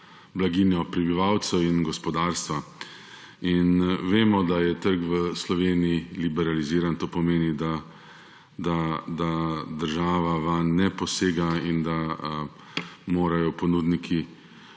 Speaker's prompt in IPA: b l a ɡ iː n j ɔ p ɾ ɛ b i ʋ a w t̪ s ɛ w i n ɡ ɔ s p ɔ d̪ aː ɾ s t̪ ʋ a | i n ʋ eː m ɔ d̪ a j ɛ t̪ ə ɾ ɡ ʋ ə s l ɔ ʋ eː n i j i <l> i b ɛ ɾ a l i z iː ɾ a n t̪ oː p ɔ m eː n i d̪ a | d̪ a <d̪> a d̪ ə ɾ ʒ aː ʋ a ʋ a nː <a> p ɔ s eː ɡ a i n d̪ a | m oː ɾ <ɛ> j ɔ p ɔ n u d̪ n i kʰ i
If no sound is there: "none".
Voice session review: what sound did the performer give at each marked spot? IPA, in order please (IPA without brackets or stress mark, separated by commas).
l, d̪, ɛ, a